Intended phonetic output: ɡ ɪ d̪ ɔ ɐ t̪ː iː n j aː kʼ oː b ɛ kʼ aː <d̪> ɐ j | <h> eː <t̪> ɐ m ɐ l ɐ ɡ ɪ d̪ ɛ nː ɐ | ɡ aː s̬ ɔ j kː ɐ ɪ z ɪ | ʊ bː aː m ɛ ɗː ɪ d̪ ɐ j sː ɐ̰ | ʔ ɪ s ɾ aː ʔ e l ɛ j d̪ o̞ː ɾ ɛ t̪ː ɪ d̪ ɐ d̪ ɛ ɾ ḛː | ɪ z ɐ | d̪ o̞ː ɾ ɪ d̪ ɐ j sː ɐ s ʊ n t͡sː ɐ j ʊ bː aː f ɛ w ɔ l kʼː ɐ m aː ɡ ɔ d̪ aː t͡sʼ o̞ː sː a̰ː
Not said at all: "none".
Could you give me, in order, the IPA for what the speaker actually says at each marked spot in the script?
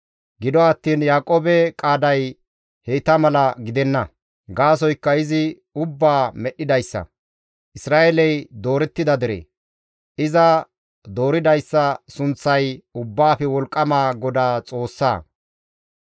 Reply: d̪, h, t̪

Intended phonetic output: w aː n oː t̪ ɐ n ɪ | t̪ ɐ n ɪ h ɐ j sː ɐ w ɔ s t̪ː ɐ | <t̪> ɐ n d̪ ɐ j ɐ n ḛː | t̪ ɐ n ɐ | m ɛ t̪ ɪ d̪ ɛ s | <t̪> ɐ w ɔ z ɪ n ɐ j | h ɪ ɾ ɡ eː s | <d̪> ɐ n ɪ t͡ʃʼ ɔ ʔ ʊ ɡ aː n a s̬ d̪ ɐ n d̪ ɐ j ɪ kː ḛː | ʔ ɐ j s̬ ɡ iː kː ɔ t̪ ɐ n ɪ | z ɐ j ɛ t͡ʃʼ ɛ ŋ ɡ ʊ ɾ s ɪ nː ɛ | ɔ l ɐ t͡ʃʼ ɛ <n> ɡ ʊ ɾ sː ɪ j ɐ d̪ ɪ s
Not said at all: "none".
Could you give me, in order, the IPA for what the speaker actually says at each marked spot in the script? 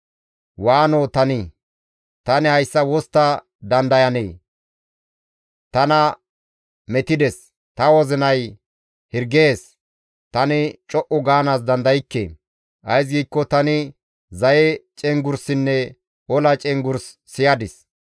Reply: d̪, t̪, t̪, ŋ

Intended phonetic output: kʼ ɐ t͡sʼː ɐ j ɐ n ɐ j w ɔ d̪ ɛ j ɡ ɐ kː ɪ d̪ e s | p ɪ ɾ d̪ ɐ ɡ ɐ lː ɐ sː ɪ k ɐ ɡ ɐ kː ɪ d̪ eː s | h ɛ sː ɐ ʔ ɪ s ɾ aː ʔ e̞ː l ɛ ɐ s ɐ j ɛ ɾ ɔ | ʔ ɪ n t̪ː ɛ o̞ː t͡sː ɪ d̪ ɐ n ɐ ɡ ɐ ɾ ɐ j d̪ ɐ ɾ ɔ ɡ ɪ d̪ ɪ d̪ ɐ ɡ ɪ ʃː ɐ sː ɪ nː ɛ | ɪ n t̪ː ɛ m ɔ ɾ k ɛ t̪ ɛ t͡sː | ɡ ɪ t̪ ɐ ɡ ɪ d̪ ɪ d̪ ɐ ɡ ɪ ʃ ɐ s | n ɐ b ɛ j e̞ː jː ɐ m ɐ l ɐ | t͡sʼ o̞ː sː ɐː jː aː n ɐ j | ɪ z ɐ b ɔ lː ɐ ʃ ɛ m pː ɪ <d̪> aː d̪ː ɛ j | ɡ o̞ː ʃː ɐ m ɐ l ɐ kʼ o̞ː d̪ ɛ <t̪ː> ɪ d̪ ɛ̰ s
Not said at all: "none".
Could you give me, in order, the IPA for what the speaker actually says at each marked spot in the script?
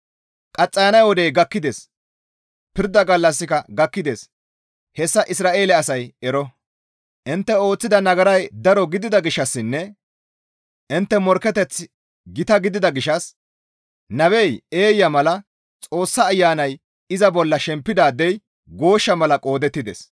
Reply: d̪, t̪ː

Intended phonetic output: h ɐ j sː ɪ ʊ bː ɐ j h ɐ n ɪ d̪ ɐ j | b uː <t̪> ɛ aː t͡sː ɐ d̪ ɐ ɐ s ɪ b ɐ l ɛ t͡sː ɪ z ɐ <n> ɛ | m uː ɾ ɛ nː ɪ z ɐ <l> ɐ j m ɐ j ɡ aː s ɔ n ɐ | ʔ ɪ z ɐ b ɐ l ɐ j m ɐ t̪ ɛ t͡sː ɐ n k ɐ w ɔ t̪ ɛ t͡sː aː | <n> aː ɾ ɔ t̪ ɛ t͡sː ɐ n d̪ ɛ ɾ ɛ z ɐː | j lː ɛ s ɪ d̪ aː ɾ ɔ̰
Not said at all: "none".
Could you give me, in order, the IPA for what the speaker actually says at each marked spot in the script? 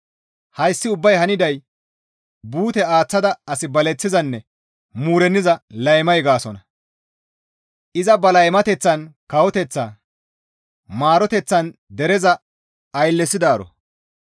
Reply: t̪, nː, l, m

